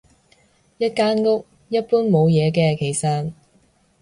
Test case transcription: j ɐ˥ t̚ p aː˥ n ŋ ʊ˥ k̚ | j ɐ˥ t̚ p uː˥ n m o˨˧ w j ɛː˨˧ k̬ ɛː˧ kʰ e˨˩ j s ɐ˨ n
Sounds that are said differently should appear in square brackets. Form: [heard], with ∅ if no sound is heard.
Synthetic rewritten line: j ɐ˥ t̚ [k] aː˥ n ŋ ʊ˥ k̚ | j ɐ˥ t̚ p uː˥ n m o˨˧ w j ɛː˨˧ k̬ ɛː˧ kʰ e˨˩ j s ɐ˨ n

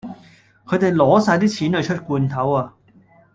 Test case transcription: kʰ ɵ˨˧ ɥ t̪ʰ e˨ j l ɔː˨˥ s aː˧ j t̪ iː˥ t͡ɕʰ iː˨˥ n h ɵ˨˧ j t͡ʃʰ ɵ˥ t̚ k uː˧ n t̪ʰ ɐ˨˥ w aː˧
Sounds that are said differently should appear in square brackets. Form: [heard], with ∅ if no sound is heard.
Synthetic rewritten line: kʰ ɵ˨˧ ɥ [t̪] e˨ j l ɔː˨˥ s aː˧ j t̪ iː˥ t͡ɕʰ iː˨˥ n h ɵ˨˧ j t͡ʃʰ ɵ˥ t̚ k uː˧ n t̪ʰ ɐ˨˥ w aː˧

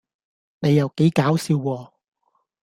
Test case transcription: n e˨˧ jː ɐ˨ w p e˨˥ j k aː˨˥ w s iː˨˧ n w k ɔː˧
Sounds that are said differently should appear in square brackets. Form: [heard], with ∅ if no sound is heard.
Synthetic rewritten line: n e˨˧ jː ɐ˨ w [k] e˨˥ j k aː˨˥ w s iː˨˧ [∅] w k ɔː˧

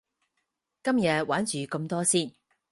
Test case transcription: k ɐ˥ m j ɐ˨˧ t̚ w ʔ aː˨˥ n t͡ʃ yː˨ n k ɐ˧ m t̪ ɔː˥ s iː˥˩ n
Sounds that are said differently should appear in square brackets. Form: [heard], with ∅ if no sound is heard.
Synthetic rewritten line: k ɐ˥ m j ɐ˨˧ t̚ w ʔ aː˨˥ n t͡ʃ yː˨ [∅] k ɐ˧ m t̪ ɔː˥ s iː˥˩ n

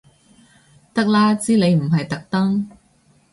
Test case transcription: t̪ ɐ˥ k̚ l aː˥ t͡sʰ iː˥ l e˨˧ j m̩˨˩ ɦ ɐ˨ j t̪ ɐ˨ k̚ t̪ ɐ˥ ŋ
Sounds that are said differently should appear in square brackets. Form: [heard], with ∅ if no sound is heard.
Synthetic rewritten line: t̪ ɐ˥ k̚ l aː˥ [t͡s] iː˥ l e˨˧ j m̩˨˩ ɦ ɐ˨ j t̪ ɐ˨ k̚ t̪ ɐ˥ ŋ

